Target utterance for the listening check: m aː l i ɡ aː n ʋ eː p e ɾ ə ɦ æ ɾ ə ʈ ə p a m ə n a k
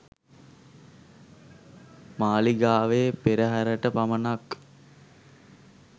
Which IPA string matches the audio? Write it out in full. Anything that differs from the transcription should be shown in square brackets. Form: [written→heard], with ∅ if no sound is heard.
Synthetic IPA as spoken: m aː l i ɡ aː [n→∅] ʋ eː p e ɾ ə ɦ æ ɾ ə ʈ ə p a m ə n a k

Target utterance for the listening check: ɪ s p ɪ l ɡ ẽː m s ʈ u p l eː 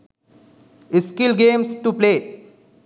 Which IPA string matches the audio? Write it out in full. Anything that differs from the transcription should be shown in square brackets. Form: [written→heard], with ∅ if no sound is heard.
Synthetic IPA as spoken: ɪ s [p→k] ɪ l ɡ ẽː m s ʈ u p l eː

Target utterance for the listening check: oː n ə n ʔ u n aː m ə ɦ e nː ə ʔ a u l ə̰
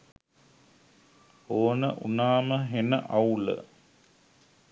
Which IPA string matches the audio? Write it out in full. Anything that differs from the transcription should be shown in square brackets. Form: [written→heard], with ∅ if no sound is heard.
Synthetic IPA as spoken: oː n ə [n→∅] ʔ u n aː m ə ɦ e [nː→n] ə ʔ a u l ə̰

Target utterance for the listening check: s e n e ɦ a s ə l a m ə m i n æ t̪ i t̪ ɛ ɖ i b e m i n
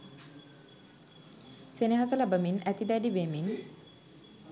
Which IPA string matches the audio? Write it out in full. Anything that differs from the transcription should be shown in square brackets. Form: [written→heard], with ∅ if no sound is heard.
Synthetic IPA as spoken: s e n e ɦ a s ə l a [m→b] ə m i n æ t̪ i [t̪→d̪] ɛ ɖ i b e m i n

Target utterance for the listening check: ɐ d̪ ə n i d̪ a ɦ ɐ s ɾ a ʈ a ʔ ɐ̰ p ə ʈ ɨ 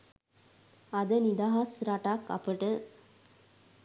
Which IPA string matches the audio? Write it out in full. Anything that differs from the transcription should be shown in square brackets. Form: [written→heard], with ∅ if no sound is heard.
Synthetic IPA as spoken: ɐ d̪ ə n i d̪ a ɦ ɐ s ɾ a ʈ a [ʔ→k] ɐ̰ p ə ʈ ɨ

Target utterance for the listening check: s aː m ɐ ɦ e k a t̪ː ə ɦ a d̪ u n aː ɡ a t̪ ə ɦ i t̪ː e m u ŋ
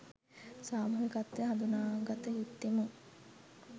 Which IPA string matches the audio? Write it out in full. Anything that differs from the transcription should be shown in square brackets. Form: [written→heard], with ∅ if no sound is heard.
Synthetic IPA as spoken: s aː m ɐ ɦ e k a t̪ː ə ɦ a d̪ u n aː ɡ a t̪ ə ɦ i t̪ː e m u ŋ

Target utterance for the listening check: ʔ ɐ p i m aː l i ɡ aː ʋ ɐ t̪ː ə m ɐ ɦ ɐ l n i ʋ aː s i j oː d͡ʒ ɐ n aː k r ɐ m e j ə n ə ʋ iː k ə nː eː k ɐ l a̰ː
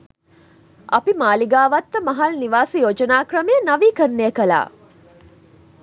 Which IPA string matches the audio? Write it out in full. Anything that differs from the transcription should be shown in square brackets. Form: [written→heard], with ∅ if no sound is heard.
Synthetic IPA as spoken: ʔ ɐ p i m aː l i ɡ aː ʋ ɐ t̪ː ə m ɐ ɦ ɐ l n i ʋ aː s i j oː d͡ʒ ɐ n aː k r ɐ m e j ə n [ə→ɐ] ʋ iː k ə nː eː k ɐ l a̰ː

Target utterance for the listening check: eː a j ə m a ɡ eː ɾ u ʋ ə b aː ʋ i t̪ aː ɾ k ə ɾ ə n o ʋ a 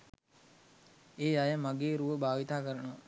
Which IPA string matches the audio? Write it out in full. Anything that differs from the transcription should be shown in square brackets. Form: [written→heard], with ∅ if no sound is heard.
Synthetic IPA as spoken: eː a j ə m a ɡ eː ɾ u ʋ ə b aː ʋ i t̪ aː [ɾ→∅] k ə ɾ ə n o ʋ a

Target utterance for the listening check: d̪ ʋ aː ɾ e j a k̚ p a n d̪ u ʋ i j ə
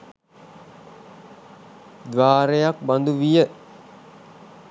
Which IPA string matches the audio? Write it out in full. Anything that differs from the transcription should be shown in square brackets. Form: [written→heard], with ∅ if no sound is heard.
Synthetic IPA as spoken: d̪ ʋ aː ɾ e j a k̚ [p→b] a n d̪ u ʋ i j ə

